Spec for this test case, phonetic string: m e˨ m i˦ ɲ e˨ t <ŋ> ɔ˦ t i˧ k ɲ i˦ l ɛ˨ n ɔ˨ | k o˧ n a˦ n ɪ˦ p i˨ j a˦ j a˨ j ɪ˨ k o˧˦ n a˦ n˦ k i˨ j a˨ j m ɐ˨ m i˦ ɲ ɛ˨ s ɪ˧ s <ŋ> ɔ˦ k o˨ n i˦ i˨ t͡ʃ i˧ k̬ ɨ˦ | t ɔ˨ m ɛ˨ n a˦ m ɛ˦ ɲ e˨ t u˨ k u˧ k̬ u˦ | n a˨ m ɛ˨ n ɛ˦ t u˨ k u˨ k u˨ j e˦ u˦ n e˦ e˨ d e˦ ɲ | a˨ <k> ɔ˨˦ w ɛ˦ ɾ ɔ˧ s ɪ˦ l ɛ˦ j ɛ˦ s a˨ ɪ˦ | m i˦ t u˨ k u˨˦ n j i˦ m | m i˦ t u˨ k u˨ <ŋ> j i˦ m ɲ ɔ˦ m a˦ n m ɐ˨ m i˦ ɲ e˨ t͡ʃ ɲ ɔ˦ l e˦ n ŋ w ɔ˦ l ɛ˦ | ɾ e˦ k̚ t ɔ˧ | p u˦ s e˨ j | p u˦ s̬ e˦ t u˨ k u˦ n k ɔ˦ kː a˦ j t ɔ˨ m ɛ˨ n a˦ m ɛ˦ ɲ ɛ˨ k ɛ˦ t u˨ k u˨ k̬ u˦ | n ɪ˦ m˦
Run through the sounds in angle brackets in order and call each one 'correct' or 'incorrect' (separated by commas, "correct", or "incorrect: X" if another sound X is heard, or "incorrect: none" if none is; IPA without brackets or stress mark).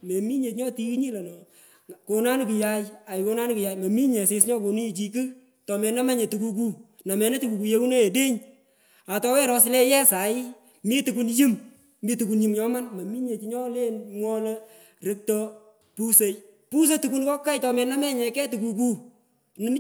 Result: incorrect: ɲ, incorrect: ɲ, incorrect: t, incorrect: n